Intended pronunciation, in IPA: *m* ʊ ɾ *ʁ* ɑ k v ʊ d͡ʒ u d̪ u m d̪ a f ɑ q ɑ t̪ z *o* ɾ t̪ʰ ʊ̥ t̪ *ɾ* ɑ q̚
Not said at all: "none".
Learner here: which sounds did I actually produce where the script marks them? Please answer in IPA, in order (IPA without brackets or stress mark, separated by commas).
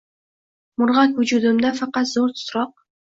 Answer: m, ʁ, o, ɾ